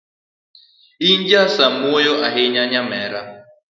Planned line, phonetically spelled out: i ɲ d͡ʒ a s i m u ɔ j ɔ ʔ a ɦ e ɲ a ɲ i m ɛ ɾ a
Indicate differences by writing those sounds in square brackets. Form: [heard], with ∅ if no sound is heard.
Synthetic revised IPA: i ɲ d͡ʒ a s [a] m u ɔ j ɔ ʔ a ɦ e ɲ a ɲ [a] m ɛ ɾ a